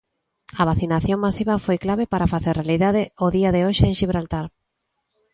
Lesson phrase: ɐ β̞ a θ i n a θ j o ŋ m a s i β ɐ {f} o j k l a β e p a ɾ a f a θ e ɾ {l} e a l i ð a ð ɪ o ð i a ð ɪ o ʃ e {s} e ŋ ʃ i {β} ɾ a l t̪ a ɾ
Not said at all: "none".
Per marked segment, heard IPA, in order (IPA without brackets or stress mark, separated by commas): f, r, none, β